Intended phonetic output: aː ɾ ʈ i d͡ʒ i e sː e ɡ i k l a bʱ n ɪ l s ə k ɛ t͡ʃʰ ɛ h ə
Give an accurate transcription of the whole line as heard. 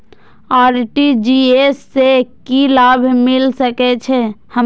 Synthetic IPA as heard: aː ɾ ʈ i d͡ʒ i e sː e k i l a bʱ m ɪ l s ə k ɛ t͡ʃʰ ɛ h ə